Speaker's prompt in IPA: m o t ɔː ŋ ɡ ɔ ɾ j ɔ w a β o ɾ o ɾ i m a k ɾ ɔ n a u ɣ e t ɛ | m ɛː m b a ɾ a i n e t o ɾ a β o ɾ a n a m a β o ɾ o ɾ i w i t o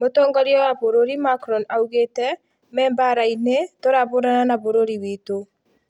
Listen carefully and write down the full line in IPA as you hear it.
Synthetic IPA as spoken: m o t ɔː ŋ ɡ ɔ ɾ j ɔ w a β o ɾ o ɾ i m a k ɾ ɔ n a u ɣ e t ɛ | m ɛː m b a ɾ a i n e t o ɾ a β o ɾ a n a n a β o ɾ o ɾ i w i t o